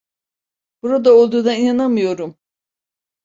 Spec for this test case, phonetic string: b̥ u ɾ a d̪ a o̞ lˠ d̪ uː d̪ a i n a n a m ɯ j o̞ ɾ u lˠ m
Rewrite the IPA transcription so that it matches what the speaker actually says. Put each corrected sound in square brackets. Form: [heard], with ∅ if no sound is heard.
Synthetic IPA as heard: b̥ u ɾ a d̪ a o̞ lˠ d̪ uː d̪ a i n a n a m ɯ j o̞ ɾ u [∅] m